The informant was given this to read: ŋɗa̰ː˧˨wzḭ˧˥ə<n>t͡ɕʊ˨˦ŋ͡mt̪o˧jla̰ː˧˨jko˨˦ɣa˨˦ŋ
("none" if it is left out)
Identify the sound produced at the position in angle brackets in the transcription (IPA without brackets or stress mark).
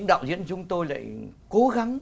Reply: n